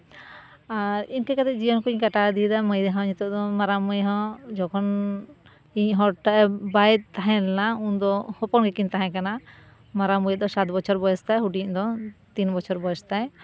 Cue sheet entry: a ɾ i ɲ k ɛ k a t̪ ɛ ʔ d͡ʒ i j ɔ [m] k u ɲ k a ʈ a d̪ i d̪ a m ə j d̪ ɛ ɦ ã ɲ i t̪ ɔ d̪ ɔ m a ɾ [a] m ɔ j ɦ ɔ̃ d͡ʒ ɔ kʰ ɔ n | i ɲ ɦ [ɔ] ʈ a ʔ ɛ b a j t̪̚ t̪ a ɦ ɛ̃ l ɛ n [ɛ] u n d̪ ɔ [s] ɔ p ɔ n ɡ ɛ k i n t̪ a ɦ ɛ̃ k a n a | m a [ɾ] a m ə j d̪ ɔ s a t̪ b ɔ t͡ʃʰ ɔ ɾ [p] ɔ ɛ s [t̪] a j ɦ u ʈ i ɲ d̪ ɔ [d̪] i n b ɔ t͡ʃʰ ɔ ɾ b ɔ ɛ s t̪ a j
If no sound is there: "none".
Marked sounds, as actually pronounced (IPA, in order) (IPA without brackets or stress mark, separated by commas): n, a, ɔ, a, h, ɾ, b, t̪, t̪